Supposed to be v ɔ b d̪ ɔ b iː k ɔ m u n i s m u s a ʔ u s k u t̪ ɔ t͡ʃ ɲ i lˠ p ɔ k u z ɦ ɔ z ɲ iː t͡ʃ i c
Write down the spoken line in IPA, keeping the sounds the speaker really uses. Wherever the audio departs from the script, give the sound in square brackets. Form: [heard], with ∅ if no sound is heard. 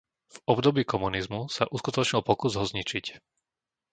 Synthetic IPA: v ɔ b d̪ ɔ b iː k ɔ m u n i [z] m u s a ʔ u s k u t̪ ɔ t͡ʃ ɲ i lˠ p ɔ k u z ɦ ɔ z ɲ [i] t͡ʃ i c